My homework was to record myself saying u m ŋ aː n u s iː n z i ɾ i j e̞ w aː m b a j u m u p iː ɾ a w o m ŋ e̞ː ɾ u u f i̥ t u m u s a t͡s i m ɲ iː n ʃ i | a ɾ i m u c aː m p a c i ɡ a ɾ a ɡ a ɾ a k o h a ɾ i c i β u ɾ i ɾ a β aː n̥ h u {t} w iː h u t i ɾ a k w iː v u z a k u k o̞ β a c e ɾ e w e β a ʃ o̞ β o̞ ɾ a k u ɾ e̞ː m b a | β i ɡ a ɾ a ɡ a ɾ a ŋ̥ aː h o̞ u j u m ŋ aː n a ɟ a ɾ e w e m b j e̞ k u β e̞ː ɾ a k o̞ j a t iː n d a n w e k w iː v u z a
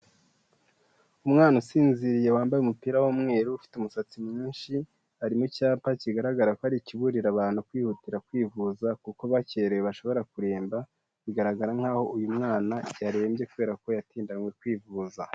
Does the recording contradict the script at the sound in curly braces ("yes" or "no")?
yes